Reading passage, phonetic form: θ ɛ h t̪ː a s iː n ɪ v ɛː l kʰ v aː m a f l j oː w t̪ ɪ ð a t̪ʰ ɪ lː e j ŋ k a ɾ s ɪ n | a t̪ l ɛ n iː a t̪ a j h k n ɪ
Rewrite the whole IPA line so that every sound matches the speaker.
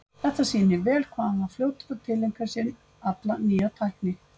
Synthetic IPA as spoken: θ ɛ h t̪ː a s iː n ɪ v ɛː l kʰ v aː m a f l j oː w t̪ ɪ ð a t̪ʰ ɪ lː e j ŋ k a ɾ s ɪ n | a t̪ l a n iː a t̪ʰ a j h k n ɪ